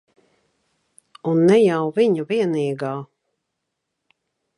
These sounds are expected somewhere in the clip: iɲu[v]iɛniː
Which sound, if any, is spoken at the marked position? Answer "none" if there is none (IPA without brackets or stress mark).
v